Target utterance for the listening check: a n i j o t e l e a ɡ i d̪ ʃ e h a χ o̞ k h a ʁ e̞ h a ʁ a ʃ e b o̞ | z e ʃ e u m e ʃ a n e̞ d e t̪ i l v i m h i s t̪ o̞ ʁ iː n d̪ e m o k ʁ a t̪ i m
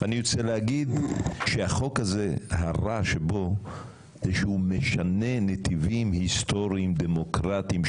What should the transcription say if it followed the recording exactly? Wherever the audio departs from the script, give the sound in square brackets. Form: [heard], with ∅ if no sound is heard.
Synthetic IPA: a n i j o [t͡s] e l e a ɡ i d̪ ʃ e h a χ o̞ k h a [z] e̞ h a ʁ a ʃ e b o̞ | z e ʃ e u m e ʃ a n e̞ [n] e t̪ i [∅] v i m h i s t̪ o̞ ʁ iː [m] d̪ e m o k ʁ a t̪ i m